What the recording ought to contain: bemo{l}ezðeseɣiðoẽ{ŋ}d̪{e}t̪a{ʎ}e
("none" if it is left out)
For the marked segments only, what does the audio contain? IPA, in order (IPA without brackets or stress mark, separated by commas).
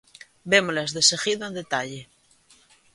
l, n, e, ʎ